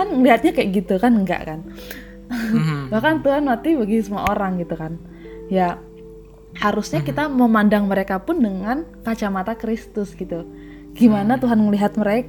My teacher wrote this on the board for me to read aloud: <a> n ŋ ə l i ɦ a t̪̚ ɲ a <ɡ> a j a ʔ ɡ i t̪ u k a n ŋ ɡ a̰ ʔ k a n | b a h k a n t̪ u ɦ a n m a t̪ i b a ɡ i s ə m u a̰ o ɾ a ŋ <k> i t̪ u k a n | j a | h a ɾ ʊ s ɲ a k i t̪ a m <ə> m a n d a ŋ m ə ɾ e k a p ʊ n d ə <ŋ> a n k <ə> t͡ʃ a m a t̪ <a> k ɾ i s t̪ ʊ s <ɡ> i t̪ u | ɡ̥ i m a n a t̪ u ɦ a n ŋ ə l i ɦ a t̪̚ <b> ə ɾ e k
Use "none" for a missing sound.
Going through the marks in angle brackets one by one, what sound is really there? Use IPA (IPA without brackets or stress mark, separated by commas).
a, k, ɡ, ə, ŋ, a, a, ɡ, m